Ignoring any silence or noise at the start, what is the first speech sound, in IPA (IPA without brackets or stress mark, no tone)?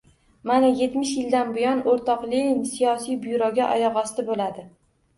m